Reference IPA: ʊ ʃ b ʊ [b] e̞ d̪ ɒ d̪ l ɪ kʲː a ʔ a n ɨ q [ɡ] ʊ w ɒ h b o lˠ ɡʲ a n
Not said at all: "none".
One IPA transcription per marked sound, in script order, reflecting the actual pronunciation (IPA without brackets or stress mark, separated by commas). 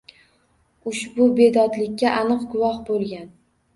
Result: b, ɡ